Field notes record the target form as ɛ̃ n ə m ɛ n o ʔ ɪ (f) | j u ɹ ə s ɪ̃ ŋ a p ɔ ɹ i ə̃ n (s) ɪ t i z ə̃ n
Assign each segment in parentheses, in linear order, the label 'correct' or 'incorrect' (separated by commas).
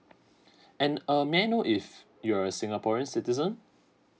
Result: correct, correct